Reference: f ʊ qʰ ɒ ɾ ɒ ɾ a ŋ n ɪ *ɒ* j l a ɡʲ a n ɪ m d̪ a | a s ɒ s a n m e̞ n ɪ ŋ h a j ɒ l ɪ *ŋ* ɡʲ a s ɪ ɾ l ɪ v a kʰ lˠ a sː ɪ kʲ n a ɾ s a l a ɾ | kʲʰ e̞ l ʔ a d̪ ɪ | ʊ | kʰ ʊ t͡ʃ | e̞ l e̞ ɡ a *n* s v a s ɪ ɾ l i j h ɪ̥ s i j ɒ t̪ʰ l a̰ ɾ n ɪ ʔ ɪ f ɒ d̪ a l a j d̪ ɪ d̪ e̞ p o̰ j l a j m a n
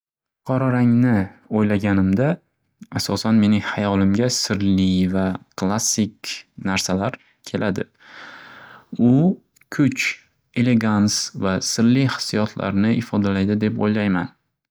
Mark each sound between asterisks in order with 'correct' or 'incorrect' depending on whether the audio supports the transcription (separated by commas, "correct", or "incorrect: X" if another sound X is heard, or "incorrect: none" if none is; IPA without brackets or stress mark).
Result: incorrect: o, incorrect: m, correct